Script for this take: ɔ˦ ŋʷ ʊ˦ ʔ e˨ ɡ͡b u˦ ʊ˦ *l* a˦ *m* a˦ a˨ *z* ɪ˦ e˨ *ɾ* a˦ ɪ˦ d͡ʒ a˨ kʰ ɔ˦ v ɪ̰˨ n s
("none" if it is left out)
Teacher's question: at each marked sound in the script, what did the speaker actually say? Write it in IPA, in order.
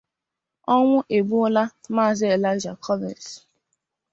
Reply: l, m, z, l

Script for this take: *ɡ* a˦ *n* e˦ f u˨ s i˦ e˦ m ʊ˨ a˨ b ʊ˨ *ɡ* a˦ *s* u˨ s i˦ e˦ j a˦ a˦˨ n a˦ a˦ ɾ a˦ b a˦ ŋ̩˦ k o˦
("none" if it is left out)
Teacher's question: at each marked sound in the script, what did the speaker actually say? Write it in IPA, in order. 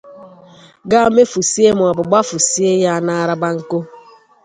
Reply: ɡ, m, ɡ͡b, f

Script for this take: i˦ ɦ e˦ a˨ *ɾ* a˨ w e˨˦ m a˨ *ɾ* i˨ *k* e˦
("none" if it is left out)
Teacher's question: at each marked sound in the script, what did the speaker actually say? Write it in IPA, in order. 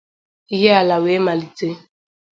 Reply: l, l, t

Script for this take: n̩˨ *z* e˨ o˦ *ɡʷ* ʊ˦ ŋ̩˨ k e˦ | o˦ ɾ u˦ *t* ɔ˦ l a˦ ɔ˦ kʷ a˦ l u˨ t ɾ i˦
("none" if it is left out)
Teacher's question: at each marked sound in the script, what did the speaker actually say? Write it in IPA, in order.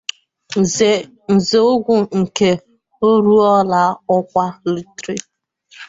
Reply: z, ɡʷ, none

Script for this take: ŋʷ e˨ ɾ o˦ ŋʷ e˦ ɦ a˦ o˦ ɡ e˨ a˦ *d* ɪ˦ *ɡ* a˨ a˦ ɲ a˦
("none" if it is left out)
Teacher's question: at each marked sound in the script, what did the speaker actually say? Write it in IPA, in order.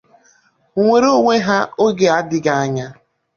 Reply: d, ɡ

